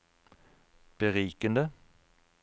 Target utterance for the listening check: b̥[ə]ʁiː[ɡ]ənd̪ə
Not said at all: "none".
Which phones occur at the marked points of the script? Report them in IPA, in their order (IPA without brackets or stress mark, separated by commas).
ə, k